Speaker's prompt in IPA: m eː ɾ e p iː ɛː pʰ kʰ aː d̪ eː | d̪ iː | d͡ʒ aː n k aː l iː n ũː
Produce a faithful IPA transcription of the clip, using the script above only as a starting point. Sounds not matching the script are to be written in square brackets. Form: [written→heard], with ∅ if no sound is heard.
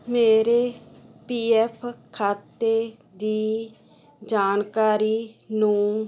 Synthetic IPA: m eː ɾ e p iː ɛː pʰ kʰ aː [d̪→t̪] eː | d̪ iː | d͡ʒ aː n k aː [l→ɾ] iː n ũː